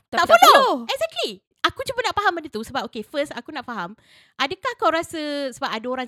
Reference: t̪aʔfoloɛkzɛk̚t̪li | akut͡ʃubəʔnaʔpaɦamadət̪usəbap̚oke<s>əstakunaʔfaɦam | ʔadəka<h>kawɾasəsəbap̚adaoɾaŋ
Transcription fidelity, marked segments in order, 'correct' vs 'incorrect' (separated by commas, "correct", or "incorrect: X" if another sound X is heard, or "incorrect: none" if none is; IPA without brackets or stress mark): incorrect: f, correct